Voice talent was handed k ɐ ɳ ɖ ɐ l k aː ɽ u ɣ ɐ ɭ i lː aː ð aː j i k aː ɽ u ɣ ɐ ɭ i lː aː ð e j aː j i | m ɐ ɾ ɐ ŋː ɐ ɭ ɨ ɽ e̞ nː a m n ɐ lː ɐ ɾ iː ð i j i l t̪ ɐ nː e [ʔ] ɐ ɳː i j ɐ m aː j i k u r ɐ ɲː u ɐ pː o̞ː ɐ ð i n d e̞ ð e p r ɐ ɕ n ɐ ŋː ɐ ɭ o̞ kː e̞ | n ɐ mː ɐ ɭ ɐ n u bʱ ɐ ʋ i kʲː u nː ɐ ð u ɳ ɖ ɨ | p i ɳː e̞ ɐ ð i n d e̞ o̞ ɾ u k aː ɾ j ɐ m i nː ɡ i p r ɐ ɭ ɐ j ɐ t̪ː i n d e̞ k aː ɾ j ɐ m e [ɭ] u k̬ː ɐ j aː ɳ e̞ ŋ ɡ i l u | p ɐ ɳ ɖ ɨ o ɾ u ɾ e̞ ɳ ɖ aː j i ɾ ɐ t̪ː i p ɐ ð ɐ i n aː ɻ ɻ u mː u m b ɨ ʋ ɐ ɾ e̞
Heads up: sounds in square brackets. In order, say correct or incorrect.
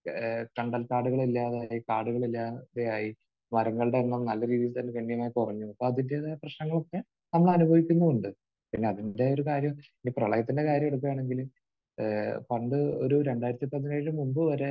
incorrect: k, incorrect: ɽ

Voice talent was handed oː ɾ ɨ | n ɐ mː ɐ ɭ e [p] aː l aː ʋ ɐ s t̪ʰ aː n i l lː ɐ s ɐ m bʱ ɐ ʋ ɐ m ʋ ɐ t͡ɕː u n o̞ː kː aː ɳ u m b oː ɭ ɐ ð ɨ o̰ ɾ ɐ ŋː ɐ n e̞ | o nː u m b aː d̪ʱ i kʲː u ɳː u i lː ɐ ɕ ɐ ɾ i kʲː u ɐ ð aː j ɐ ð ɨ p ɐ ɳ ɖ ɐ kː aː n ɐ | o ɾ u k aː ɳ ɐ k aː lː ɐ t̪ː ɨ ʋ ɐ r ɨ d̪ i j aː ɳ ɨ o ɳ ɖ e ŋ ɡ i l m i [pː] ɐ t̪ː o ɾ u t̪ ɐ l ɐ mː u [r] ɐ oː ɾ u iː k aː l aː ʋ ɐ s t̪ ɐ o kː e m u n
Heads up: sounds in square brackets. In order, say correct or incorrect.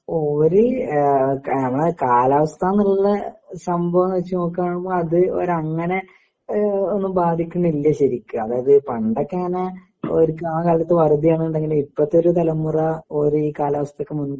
incorrect: k, correct, correct

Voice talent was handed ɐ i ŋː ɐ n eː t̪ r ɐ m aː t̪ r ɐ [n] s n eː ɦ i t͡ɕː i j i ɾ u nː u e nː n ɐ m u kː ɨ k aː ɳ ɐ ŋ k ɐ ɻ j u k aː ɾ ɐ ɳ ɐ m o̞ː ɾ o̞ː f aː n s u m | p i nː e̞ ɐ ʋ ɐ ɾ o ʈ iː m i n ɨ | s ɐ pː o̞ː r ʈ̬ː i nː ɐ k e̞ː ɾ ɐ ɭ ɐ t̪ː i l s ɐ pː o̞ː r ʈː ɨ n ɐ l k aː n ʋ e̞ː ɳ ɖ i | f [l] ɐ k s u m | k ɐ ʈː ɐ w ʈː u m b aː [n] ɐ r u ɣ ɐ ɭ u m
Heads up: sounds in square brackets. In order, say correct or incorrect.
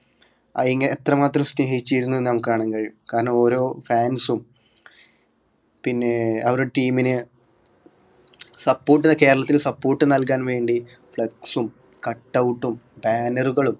incorrect: m, incorrect: ɭ, correct

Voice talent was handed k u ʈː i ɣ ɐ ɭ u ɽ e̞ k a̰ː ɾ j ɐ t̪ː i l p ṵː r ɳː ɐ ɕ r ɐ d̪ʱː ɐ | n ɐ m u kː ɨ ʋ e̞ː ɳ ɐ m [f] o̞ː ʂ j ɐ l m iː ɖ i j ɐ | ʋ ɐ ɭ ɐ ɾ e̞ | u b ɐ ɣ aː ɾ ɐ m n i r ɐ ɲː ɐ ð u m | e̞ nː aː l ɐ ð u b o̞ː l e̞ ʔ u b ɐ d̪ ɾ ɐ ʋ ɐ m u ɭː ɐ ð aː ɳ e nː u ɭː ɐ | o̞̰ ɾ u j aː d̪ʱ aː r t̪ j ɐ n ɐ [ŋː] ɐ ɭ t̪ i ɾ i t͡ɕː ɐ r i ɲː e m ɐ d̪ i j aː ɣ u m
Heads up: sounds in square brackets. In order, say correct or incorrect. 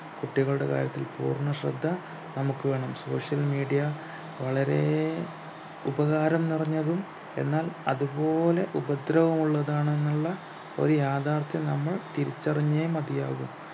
incorrect: s, incorrect: mː

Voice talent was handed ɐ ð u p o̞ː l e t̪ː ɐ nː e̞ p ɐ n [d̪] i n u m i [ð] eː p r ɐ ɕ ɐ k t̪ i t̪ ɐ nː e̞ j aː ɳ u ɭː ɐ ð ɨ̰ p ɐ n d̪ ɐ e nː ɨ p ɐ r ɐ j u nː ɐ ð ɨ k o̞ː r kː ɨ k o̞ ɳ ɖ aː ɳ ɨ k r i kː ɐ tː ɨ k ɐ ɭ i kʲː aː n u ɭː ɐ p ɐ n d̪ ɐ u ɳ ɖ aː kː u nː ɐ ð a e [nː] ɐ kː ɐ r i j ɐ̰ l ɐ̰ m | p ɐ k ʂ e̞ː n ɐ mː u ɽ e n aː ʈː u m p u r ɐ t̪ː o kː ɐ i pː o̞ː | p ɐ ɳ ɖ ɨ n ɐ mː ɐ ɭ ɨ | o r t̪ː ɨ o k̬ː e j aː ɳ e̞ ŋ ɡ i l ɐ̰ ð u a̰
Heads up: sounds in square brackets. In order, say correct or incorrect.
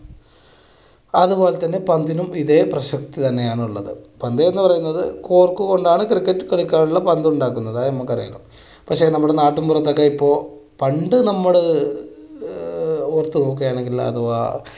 correct, correct, incorrect: mː

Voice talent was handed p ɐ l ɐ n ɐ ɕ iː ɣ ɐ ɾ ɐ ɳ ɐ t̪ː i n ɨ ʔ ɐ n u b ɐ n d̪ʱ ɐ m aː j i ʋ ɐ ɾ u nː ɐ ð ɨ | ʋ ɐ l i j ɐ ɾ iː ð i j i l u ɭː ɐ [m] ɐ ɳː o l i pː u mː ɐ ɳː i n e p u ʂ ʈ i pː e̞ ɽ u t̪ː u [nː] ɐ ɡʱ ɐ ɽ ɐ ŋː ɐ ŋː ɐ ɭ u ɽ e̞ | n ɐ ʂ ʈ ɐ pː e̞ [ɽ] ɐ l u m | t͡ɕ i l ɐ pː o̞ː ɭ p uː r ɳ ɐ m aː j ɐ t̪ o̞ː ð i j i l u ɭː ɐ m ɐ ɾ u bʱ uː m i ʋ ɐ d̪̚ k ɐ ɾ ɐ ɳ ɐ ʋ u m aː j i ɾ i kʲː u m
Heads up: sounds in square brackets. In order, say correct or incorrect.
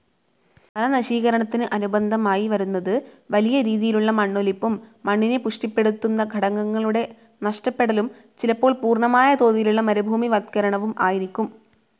correct, correct, correct

